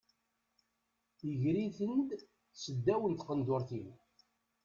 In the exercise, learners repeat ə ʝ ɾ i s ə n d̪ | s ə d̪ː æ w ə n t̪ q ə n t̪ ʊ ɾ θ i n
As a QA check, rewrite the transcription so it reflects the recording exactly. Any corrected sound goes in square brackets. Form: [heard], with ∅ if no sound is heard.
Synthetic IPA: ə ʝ ɾ i [θ] ə n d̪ | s ə d̪ː æ w ə n t̪ q ə n [d̪] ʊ ɾ θ i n